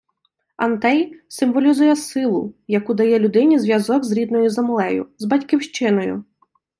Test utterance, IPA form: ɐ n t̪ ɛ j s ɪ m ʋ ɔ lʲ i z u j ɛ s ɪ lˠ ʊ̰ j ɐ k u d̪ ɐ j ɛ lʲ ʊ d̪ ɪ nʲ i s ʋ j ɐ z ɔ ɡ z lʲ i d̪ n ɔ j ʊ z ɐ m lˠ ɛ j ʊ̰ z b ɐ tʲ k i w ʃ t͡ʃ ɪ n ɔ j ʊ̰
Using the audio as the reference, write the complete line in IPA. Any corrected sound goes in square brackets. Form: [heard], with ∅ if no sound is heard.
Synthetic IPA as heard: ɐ n t̪ ɛ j s ɪ m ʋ ɔ lʲ i z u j ɛ s ɪ lˠ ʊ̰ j ɐ k u d̪ ɐ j ɛ lʲ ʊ d̪ ɪ nʲ i [z] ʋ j ɐ z ɔ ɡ z [ɾʲ] i d̪ n ɔ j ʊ z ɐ m lˠ ɛ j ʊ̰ z b ɐ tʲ k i w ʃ t͡ʃ ɪ n ɔ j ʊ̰